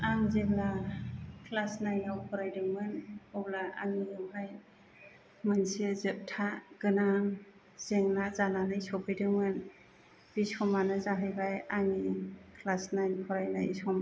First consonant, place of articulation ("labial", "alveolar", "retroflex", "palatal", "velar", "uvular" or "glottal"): velar